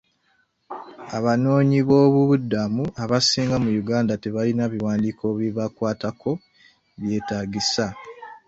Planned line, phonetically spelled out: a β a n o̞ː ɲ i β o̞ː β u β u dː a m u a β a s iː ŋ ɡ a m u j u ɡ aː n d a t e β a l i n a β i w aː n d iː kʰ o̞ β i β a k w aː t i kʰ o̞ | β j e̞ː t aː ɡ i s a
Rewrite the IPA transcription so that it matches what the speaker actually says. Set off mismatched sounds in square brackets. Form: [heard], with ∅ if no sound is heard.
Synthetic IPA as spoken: a β a n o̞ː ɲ i β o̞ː β u β u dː a m u a β a s iː ŋ ɡ a m u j u ɡ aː n d a t e β a l i n a β i w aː n d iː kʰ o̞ β i β a k w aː t [a] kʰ o̞ | β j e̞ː t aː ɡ i s a